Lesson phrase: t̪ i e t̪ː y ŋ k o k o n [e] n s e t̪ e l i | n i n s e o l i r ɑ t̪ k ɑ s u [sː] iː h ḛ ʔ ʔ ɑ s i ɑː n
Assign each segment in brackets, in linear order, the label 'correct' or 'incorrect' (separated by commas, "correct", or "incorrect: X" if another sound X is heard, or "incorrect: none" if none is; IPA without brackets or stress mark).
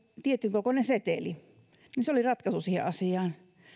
correct, incorrect: s